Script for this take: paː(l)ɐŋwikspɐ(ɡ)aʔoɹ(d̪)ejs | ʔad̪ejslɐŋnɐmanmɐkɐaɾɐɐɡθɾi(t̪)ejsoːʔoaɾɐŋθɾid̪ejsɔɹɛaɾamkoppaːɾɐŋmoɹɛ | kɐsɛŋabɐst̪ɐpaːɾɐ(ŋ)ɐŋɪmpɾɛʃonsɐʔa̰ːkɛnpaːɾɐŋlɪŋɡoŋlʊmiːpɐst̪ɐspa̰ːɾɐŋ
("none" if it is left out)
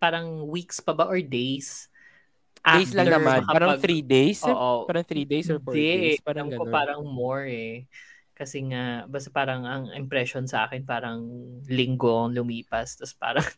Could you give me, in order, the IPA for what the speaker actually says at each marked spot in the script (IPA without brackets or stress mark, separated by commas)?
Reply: ɾ, b, d̪, d̪, ŋ